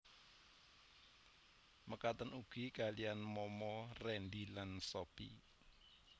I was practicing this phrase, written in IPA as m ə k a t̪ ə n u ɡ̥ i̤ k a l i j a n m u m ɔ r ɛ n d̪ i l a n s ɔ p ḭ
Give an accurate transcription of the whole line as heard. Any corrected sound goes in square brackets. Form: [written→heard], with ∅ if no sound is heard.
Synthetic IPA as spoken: m ə k a t̪ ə n u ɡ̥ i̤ k a l i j a n m [u→ɔ] m ɔ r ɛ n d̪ i l a n s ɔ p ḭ